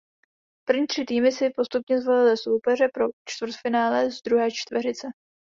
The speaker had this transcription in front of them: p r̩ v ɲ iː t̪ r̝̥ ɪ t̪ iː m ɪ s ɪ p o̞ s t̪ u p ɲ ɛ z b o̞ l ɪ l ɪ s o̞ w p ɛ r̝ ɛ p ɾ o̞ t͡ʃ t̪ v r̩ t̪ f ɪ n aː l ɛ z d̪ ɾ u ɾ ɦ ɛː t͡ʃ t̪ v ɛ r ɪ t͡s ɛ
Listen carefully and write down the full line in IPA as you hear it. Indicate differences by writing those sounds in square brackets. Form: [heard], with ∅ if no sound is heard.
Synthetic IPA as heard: p r̩ v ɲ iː t̪ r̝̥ ɪ t̪ iː m ɪ s ɪ p o̞ s t̪ u p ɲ ɛ z [v] o̞ l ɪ l ɪ s o̞ w p ɛ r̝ ɛ p ɾ o̞ t͡ʃ t̪ v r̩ t̪ f ɪ n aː l ɛ z d̪ ɾ u [∅] ɦ ɛː t͡ʃ t̪ v ɛ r ɪ t͡s ɛ